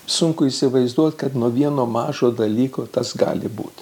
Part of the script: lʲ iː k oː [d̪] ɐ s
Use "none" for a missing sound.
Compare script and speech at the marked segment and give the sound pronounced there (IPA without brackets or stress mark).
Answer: t̪